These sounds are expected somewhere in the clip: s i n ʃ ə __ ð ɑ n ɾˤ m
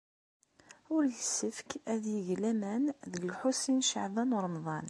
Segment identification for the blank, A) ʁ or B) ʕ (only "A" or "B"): B